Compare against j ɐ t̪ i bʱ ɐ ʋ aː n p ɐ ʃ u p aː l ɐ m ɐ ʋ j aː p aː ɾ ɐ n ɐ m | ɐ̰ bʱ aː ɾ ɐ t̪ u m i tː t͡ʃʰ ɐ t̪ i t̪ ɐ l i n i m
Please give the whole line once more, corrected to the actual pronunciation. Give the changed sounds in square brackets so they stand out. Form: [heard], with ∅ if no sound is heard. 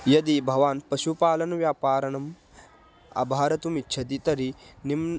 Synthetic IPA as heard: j ɐ [d̪] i bʱ ɐ ʋ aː n p ɐ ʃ u p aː l ɐ [n] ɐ ʋ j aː p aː ɾ ɐ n ɐ m | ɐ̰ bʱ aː ɾ ɐ t̪ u m i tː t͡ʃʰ ɐ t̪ i t̪ ɐ [ɾ] i n i m